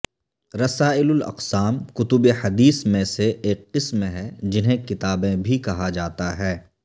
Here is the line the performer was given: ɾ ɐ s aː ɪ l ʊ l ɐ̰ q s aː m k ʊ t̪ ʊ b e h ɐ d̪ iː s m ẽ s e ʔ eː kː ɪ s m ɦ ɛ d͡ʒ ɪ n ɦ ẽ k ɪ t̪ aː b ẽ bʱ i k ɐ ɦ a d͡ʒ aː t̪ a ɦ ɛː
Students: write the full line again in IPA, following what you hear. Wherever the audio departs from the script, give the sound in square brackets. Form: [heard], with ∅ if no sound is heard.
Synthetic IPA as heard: ɾ ɐ s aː ɪ l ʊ l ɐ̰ q s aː m k ʊ t̪ ʊ b e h ɐ d̪ iː s m ẽ s e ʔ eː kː ɪ s m ɦ ɛ d͡ʒ ɪ n ɦ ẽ k ɪ t̪ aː b ẽ bʱ i k ɐ ɦ a d͡ʒ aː t̪ a ɦ ɛː